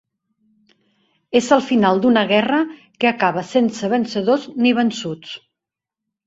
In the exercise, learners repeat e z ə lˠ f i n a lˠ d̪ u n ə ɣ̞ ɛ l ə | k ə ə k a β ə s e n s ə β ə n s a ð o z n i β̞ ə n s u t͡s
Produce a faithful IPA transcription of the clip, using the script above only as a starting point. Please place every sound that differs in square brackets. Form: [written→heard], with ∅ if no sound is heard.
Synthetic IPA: e z ə lˠ f i n a lˠ d̪ u n ə ɣ̞ ɛ [l→r] ə | k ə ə k a β ə s e n s ə β ə n s [a→ə] ð o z n i β̞ ə n s u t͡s

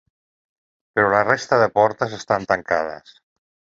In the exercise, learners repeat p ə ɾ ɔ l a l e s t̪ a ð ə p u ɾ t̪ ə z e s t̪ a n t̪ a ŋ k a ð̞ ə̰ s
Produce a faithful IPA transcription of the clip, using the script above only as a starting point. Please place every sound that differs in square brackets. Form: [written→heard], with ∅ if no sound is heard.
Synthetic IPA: p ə ɾ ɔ l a [l→r] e s t̪ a ð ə p [u→ɔ] ɾ t̪ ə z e s t̪ a n t̪ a ŋ k a ð̞ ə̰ s

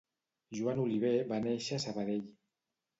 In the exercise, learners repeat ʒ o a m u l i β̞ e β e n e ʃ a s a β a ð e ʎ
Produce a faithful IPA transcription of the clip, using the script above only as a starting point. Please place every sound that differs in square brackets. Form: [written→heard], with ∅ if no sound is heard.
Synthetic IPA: ʒ [o→u] a [m→n] u l i β̞ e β [e→a] n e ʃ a s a β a ð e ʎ

